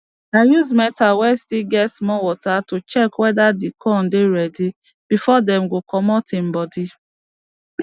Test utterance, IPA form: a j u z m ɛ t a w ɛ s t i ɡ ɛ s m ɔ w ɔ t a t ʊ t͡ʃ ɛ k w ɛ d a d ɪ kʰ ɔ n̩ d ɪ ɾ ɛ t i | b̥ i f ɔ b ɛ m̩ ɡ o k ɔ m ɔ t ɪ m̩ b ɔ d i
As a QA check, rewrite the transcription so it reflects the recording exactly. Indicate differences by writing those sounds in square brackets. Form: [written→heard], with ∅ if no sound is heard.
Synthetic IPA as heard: a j u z m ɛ t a w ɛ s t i ɡ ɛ s m ɔ w ɔ t a t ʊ t͡ʃ ɛ k w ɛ d a d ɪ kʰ ɔ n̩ d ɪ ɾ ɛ [t→d] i | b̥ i f ɔ [b→d] ɛ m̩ ɡ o k ɔ m ɔ t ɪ m̩ b ɔ d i